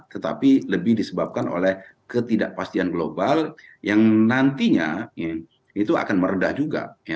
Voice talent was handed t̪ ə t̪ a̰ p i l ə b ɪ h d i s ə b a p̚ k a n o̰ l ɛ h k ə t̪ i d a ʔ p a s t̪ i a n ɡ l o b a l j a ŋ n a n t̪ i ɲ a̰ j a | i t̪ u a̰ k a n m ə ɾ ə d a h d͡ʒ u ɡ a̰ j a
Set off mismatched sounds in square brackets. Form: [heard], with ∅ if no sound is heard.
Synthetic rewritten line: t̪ ə t̪ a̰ p i l ə b ɪ h d i s ə b a p̚ k a n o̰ l ɛ h k ə t̪ i d a ʔ p a s t̪ i a n ɡ l o b a l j a ŋ n a n t̪ i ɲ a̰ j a | i t̪ u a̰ k a n m ə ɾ ə d a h d͡ʒ u ɡ a̰ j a